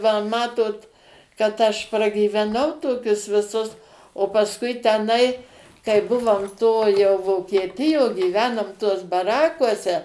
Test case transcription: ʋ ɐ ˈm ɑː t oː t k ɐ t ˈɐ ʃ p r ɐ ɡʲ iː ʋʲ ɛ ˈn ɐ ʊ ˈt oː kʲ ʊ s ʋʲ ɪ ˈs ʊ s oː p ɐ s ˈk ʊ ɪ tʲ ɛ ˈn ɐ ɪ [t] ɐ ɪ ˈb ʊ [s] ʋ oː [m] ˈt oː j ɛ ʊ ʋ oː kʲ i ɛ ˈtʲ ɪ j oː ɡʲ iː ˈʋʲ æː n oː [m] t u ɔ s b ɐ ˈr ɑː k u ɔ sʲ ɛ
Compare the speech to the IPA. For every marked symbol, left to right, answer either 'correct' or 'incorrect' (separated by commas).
incorrect, incorrect, correct, correct